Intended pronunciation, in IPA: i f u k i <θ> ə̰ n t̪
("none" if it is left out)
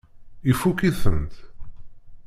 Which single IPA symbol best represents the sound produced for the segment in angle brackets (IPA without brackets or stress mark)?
θ